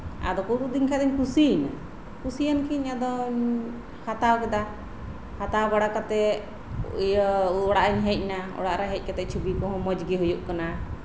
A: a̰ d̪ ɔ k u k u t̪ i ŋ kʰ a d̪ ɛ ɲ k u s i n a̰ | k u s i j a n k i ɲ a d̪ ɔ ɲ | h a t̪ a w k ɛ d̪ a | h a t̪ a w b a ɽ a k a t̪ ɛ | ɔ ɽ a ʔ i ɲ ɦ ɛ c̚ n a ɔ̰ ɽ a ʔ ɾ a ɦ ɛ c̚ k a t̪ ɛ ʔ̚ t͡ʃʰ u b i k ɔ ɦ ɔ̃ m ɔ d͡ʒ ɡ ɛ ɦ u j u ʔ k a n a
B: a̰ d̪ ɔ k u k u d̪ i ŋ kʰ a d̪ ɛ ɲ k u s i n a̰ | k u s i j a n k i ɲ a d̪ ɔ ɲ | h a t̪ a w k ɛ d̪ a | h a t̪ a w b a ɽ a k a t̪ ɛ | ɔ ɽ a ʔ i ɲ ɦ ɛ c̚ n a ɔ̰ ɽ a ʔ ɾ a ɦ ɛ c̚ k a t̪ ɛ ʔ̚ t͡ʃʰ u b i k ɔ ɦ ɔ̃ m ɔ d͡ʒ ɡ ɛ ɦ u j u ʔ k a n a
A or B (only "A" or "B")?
B